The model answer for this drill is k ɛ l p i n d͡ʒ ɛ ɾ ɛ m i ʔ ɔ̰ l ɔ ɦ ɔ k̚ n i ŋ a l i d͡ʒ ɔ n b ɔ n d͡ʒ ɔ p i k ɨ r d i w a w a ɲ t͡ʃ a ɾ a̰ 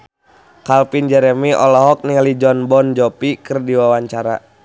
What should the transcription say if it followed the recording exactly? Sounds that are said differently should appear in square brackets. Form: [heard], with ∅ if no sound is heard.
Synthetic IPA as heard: k [a] l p i n d͡ʒ ɛ ɾ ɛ m i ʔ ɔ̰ l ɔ ɦ ɔ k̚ n i ŋ a l i d͡ʒ ɔ n b ɔ n d͡ʒ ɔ p i k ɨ r d i w a w a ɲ t͡ʃ a ɾ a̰